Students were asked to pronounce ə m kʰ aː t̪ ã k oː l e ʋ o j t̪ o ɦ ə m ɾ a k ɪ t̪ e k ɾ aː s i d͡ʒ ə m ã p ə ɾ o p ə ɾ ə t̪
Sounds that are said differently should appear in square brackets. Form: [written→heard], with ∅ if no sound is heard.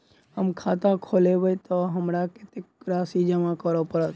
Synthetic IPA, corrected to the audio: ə m kʰ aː t̪ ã [k→kʰ] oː l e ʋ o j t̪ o ɦ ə m ɾ a k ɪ t̪ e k ɾ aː s i d͡ʒ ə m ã [p→k] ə ɾ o p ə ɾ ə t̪

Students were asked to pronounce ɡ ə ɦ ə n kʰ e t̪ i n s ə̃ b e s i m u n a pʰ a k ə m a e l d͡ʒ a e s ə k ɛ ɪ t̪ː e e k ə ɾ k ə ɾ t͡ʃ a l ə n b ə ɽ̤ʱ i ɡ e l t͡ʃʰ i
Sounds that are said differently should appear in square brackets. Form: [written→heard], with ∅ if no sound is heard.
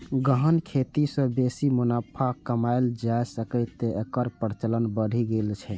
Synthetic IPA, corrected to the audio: ɡ ə ɦ ə n kʰ e t̪ i [n→∅] s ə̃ b e s i m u n a pʰ a k ə m a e l d͡ʒ a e s ə k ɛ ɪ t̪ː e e k ə ɾ [k→p] ə ɾ t͡ʃ [a→ə] l ə n b ə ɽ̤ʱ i ɡ e l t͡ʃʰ [i→ɛ]

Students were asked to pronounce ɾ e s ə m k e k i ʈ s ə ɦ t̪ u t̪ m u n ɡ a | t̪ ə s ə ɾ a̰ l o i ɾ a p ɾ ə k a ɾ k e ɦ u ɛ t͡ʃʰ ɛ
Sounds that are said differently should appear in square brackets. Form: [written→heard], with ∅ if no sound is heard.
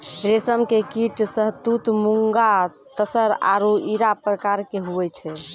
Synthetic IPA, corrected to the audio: ɾ e s ə m k e k i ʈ s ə ɦ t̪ u t̪ m u [n→ŋ] ɡ a | t̪ ə s ə ɾ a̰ [l→ɾ] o i ɾ a p ɾ ə k a ɾ k e ɦ u ɛ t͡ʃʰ ɛ

